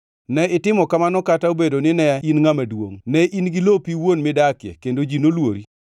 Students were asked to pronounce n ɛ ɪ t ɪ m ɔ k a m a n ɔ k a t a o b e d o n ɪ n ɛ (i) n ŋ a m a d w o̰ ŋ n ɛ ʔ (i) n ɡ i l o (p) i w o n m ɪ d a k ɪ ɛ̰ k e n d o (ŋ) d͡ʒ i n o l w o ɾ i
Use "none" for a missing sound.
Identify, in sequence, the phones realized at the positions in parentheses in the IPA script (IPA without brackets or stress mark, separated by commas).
i, i, p, none